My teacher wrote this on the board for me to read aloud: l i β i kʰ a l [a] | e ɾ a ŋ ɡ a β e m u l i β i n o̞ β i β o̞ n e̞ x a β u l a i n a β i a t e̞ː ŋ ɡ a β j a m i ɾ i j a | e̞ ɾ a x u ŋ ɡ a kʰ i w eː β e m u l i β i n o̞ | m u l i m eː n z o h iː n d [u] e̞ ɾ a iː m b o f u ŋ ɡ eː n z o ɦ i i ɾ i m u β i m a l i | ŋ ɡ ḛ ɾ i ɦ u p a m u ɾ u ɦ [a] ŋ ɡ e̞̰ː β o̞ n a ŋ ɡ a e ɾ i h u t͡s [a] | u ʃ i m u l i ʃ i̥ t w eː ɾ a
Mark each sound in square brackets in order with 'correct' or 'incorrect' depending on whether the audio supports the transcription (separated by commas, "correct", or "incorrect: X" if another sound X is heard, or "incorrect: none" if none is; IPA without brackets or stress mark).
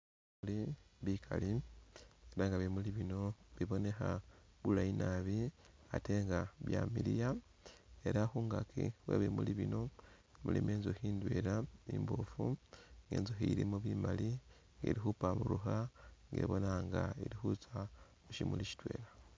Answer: incorrect: i, incorrect: w, correct, correct